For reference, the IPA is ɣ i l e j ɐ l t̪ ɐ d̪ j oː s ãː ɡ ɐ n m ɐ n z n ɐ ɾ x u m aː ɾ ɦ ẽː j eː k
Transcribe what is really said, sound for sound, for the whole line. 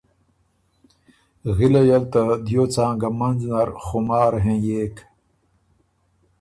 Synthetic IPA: ɣ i l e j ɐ l t̪ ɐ d̪ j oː t͡s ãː ɡ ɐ m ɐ n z n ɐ ɾ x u m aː ɾ ɦ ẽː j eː k